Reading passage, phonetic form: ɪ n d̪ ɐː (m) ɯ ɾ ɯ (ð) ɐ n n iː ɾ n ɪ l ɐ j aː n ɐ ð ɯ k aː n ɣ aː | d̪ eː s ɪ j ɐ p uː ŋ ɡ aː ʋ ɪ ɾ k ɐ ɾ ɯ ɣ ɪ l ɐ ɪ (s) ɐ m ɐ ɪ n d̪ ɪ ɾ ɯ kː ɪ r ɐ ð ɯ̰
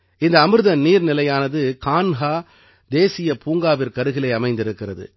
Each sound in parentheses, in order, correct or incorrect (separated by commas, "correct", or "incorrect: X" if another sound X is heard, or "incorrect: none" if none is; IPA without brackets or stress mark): correct, correct, incorrect: none